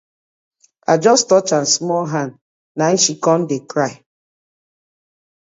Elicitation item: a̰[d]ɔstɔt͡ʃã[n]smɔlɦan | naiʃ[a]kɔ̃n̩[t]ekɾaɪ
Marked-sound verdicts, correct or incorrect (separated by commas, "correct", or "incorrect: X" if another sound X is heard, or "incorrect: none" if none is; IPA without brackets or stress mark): incorrect: d͡ʒ, correct, incorrect: i, incorrect: d